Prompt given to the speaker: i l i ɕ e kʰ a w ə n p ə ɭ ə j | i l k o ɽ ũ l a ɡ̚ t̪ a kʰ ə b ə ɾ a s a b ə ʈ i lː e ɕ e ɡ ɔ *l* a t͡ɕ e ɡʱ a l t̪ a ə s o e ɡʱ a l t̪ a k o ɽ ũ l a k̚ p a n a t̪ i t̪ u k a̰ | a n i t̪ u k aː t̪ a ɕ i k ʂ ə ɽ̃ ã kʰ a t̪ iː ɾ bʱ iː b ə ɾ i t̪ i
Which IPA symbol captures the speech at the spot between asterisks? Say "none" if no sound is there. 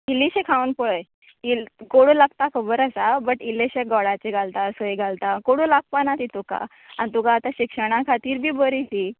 ɽ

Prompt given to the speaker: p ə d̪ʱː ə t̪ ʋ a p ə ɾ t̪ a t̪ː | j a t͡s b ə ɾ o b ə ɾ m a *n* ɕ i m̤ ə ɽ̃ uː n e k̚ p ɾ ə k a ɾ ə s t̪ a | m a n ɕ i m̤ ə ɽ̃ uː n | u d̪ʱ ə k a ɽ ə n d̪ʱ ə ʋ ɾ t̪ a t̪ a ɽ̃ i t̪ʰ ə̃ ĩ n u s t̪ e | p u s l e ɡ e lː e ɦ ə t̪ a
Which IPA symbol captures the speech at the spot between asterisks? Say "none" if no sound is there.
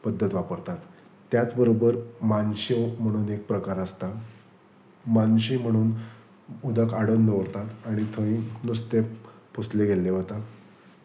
n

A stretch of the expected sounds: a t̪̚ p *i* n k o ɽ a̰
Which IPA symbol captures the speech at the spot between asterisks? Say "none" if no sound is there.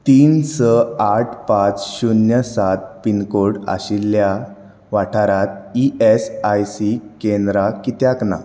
i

